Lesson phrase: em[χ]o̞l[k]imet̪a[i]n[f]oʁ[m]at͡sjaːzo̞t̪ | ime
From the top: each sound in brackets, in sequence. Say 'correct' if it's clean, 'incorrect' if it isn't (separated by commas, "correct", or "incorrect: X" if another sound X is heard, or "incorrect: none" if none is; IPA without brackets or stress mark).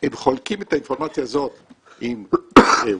correct, correct, correct, correct, correct